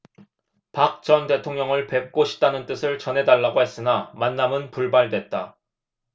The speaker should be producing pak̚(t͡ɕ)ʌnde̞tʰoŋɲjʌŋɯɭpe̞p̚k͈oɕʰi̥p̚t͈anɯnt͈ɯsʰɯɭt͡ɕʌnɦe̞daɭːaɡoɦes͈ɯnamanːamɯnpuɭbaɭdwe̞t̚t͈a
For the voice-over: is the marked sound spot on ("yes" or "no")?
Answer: yes